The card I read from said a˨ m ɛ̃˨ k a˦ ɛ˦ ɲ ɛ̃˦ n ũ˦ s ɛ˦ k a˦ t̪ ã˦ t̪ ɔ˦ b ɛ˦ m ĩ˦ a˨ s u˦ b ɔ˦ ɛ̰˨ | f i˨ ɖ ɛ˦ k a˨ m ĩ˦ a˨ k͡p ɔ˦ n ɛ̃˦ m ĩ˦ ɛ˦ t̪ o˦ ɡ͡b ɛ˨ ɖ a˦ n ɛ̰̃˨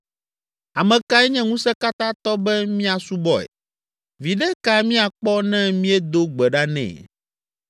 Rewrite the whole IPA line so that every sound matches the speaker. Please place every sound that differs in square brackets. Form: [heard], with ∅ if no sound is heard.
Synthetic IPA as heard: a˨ m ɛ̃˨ k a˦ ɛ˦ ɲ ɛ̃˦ [ŋ] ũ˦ s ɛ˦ k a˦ t̪ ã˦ t̪ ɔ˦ b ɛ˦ m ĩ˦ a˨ s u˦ b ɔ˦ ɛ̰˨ | [v] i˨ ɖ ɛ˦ k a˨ m ĩ˦ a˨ k͡p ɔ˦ n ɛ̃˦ m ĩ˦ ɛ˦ [d̪] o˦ ɡ͡b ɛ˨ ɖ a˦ n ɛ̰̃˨